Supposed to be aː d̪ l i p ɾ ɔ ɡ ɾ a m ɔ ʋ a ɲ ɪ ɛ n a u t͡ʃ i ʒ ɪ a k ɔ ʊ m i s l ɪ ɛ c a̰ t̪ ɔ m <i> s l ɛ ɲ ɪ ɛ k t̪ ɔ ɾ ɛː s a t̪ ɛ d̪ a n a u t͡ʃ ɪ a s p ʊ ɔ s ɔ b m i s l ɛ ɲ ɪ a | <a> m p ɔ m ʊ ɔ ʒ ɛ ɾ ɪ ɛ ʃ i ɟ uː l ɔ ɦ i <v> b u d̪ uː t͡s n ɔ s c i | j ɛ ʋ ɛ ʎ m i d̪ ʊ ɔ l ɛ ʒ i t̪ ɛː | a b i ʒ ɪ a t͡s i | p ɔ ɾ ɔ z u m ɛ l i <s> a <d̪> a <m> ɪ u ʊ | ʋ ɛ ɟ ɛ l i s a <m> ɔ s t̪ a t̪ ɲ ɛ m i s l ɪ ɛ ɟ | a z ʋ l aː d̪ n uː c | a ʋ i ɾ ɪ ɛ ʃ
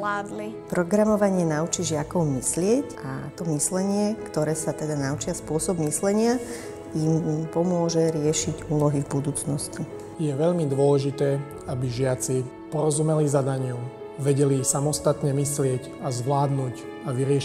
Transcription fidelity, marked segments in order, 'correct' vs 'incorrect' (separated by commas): correct, incorrect, correct, incorrect, correct, incorrect, correct